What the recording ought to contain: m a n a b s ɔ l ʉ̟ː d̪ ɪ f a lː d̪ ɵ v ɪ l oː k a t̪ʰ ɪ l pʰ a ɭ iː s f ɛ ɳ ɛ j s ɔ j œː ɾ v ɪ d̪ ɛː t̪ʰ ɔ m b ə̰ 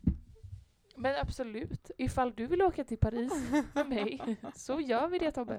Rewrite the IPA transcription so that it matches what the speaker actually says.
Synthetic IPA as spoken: m ɛ n a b s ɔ l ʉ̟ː t̪ ɪ f a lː d̪ ɵ v ɪ l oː k a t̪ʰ ɪ l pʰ a ɾ iː s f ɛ m ɛ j s ɔ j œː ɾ v ɪ d̪ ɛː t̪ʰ ɔ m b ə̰